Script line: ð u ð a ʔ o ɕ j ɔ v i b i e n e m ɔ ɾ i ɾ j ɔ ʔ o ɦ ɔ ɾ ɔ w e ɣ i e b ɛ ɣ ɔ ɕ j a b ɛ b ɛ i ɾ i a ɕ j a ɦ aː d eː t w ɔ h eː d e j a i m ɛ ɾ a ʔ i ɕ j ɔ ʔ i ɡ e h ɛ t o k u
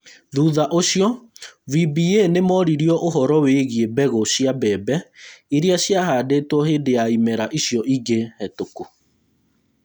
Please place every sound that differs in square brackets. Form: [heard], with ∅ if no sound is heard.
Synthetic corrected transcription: ð u ð a ʔ o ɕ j ɔ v i b i e n e m ɔ ɾ i ɾ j ɔ ʔ o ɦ ɔ ɾ ɔ w e ɣ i e b ɛ ɣ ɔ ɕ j a b ɛ b ɛ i ɾ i a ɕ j a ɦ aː d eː t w ɔ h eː d e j a i m ɛ ɾ a ʔ i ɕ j ɔ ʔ i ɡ e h ɛ t o k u